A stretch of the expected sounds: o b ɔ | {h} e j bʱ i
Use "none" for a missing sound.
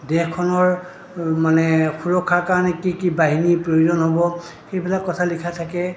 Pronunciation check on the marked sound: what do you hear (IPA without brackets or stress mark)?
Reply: x